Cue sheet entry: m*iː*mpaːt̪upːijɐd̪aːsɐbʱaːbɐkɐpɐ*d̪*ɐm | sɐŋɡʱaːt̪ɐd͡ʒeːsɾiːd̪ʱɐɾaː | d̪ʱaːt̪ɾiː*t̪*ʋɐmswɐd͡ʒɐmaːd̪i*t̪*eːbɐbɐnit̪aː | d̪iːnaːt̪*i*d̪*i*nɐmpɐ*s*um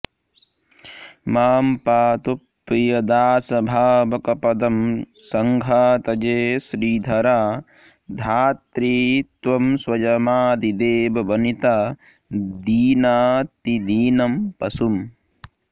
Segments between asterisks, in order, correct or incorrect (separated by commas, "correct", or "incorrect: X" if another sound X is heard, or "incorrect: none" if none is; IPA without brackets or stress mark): incorrect: aː, correct, correct, incorrect: d̪, correct, incorrect: iː, correct